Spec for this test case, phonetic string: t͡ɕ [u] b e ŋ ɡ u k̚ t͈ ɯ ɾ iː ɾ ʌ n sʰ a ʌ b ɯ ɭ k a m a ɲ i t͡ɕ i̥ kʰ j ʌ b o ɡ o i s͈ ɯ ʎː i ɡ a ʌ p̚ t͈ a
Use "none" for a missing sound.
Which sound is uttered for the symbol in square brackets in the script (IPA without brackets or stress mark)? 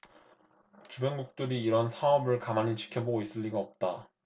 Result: u